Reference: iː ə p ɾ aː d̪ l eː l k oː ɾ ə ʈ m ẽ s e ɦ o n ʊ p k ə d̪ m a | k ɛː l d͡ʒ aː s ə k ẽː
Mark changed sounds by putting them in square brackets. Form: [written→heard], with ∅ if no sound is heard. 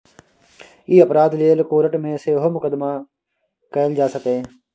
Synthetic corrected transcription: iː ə p ɾ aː d̪ l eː l k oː ɾ ə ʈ m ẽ s e ɦ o [n→m] ʊ [p→∅] k ə d̪ m a | k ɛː l d͡ʒ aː s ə k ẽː

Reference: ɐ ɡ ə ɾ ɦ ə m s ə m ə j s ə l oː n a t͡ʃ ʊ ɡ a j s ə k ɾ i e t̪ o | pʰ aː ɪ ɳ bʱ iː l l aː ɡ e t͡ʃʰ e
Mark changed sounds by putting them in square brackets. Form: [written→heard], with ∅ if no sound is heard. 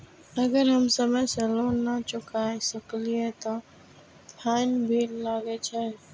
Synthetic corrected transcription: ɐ ɡ ə ɾ ɦ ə m s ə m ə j s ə l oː n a t͡ʃ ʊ [ɡ→k] a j s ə k [ɾ→l] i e t̪ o | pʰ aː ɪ [ɳ→n] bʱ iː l l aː ɡ e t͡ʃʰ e

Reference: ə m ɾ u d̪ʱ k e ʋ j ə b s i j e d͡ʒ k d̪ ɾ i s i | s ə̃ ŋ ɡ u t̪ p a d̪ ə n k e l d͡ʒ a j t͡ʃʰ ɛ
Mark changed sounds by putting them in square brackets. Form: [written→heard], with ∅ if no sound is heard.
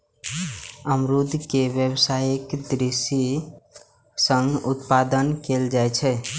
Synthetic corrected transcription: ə m ɾ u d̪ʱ k e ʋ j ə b s [i→a] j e [d͡ʒ→∅] k d̪ ɾ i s i | s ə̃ ŋ ɡ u t̪ p a d̪ ə n k e l d͡ʒ a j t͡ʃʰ ɛ

